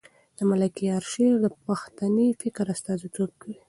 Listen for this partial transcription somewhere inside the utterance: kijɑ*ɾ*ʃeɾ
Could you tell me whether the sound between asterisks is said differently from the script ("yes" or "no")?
no